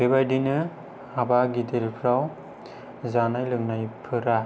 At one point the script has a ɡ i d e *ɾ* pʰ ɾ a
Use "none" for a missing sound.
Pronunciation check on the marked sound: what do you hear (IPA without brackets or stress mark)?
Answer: l